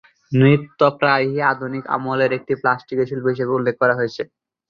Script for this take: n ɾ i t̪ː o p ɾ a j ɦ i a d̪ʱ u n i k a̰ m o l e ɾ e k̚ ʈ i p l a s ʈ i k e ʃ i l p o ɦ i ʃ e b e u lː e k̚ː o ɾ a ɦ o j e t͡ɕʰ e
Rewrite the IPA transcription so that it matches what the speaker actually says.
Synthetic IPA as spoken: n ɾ i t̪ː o p ɾ a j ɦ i a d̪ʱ u n i k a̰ m o l e ɾ e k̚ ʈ i p l a s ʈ i k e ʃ i l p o ɦ i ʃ e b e u lː e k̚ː ɔ ɾ a ɦ o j e t͡ɕʰ e